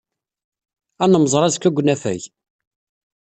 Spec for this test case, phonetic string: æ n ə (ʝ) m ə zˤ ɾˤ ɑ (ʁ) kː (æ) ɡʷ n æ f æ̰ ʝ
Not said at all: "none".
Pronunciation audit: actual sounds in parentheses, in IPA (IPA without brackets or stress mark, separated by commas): none, z, æ